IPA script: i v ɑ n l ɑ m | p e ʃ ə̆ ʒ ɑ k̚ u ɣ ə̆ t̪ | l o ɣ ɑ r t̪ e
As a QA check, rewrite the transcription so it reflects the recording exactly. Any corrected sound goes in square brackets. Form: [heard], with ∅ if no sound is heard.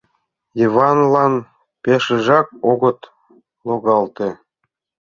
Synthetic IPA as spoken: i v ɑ n l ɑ [n] | p e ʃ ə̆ ʒ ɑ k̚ [o] ɣ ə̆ t̪ | l o ɣ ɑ [l] t̪ e